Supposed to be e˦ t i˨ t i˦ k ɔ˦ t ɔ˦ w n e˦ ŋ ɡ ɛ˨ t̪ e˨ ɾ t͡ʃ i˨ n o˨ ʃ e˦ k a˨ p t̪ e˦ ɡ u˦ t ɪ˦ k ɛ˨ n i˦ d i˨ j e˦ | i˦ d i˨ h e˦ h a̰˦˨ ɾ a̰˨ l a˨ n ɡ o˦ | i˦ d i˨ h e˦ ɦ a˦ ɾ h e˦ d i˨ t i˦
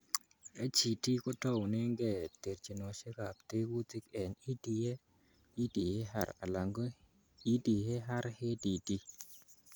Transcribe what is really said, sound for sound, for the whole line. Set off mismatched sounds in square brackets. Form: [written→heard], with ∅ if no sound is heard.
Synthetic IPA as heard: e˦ [t→t͡ʃ] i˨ t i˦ k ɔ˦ t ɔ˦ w n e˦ ŋ ɡ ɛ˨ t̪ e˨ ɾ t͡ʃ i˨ n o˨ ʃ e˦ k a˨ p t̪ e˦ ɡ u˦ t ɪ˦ k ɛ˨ n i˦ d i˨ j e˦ | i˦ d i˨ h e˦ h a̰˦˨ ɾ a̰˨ l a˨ [n→ŋ] ɡ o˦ | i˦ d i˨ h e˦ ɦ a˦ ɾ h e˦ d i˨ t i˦